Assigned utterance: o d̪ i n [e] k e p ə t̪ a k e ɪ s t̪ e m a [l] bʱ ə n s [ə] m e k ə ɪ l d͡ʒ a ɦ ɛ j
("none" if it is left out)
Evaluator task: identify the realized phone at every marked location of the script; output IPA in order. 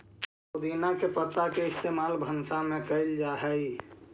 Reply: a, l, a

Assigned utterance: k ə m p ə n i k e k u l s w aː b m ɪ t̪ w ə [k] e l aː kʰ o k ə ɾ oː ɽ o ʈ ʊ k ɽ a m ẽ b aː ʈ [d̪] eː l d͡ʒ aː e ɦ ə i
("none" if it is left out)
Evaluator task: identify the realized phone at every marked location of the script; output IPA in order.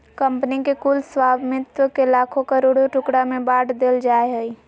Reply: k, d̪

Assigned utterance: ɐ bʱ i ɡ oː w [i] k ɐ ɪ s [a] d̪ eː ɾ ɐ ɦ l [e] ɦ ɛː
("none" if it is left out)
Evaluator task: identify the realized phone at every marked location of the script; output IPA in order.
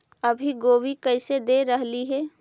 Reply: i, e, i

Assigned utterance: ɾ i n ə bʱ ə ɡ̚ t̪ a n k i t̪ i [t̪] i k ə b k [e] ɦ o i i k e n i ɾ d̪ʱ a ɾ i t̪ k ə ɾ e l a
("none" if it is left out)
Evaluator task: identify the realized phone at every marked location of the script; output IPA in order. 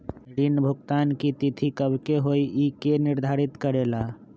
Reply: t̪ʰ, e

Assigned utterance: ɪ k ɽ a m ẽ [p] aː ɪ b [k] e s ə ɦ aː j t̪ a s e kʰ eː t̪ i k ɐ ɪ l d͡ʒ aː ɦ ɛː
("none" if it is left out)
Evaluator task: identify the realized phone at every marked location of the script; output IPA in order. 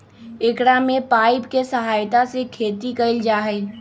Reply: p, k

